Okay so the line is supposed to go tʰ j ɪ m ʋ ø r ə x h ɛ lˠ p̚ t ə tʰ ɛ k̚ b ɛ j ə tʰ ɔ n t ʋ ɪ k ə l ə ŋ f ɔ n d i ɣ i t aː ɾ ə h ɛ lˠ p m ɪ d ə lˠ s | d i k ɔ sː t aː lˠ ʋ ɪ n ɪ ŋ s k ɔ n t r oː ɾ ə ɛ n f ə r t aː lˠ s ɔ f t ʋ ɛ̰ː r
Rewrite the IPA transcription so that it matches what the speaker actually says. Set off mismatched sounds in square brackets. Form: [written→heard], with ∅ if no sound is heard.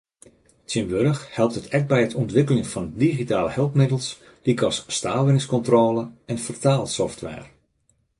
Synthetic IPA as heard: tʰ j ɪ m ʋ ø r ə x h ɛ lˠ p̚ t ə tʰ ɛ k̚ b ɛ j ə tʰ ɔ n t ʋ ɪ k ə l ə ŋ f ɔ n d i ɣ i t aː [ɾ→l] ə h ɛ lˠ p m ɪ d ə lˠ s | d i k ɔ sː t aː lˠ ʋ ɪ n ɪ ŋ s k ɔ n t r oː [ɾ→l] ə ɛ n f ə r t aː lˠ s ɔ f t ʋ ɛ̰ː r